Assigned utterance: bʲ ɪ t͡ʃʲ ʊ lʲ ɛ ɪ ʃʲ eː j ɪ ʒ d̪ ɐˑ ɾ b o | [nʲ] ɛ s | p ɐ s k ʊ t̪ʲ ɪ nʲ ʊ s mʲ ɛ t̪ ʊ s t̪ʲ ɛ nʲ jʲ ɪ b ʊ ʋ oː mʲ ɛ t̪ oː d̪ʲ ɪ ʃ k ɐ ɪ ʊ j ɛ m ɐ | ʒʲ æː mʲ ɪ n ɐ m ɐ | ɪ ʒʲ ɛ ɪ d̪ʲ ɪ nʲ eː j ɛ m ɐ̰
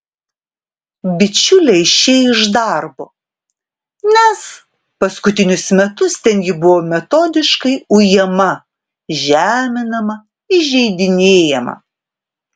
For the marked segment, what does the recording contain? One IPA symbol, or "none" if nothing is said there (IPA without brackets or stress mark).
nʲ